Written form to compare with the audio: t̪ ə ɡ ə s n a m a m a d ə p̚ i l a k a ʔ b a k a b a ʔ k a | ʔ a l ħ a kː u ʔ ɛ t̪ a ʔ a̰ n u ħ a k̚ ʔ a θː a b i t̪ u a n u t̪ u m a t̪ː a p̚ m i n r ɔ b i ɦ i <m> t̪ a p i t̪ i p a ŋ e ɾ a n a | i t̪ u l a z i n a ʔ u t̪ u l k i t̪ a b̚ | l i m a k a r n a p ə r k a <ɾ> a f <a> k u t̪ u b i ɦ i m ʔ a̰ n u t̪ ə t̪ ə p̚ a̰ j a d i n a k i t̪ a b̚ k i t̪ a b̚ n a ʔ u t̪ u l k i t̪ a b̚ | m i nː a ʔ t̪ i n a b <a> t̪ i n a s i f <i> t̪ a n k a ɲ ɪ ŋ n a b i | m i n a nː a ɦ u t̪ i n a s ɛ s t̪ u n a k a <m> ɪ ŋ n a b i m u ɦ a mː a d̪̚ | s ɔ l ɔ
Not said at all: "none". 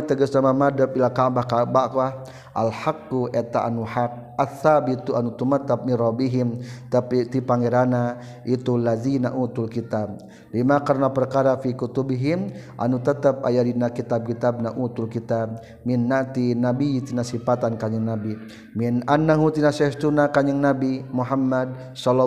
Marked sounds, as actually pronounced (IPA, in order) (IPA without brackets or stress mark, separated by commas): m, ɾ, i, i, a, ɲ